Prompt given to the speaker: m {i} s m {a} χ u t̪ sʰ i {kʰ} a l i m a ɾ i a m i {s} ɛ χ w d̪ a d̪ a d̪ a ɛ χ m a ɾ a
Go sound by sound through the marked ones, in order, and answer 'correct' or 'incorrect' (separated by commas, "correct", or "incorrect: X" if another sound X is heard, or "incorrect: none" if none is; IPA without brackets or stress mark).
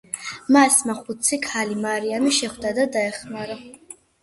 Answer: incorrect: a, correct, correct, incorrect: ʃ